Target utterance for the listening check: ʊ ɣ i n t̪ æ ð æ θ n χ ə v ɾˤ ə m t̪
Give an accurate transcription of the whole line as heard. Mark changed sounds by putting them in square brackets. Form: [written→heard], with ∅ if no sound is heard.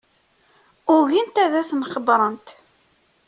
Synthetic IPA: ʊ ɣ i n t̪ æ ð æ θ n χ ə [v→b] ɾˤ ə [m→n] t̪